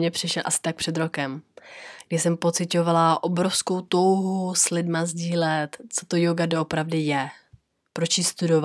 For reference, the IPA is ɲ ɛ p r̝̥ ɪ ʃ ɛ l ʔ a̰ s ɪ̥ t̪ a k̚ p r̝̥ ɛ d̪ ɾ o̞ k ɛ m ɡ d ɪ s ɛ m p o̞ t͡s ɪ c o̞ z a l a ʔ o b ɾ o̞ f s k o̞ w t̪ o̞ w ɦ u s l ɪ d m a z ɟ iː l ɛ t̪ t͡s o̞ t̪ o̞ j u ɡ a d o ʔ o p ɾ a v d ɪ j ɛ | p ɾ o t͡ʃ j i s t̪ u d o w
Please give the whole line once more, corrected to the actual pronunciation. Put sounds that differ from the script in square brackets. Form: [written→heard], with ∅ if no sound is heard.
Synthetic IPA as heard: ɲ ɛ p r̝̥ ɪ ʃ ɛ l ʔ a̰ s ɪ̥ t̪ a k̚ p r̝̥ ɛ d̪ ɾ o̞ k ɛ m ɡ d ɪ s ɛ m p o̞ t͡s ɪ c o̞ [z→v] a l a ʔ o b ɾ o̞ f s k o̞ w t̪ o̞ w ɦ u s l ɪ d m a z ɟ iː l ɛ t̪ t͡s o̞ t̪ o̞ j [u→o] ɡ a d o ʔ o p ɾ a v d ɪ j ɛ | p ɾ o t͡ʃ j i s t̪ u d o [w→v]